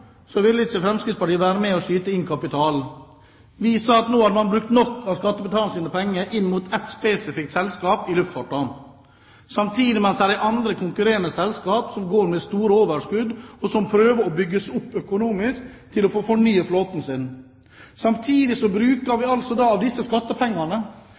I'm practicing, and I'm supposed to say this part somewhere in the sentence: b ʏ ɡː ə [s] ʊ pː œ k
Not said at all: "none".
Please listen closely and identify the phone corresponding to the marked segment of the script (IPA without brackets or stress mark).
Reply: s